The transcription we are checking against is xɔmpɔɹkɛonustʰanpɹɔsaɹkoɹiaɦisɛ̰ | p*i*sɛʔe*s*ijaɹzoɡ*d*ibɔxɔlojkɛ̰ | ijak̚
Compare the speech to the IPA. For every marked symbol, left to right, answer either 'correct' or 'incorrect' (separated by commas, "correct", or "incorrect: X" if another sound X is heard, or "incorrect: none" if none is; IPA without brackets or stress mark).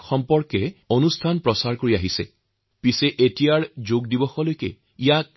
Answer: correct, incorrect: t, correct